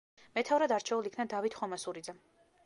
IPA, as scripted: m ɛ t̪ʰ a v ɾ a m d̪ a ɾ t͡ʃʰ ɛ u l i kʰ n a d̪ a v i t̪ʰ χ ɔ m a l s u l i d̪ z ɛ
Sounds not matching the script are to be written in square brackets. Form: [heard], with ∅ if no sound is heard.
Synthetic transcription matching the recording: m ɛ t̪ʰ a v ɾ a [∅] d̪ a ɾ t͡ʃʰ ɛ u l i kʰ n a d̪ a v i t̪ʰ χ ɔ m a [∅] s u [ɾ] i d̪ z ɛ